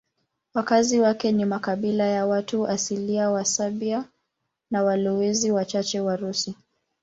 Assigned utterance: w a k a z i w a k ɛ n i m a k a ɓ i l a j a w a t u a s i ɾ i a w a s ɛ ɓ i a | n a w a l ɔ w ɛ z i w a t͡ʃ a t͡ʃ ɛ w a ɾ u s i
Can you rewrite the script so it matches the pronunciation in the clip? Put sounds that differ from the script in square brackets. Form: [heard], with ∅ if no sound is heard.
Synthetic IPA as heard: w a k a z i w a k ɛ n i m a k a ɓ i l a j a w a t u a s i [l] i a w a s [a] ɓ i a | n a w a l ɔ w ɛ z i w a t͡ʃ a t͡ʃ ɛ w a ɾ u s i